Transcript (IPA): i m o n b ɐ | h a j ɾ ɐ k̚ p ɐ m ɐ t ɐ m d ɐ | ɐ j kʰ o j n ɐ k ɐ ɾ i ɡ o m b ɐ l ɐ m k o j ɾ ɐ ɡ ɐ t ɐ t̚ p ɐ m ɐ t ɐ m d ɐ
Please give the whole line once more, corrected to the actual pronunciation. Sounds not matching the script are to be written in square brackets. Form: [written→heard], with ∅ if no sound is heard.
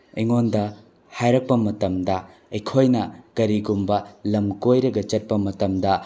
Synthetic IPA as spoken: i [m→ŋ] o n [b→d] ɐ | h a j ɾ ɐ k̚ p ɐ m ɐ t ɐ m d ɐ | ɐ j kʰ o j n ɐ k ɐ ɾ i ɡ [o→u] m b ɐ l ɐ m k o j ɾ ɐ ɡ ɐ [t→t͡ʃ] ɐ t̚ p ɐ m ɐ t ɐ m d ɐ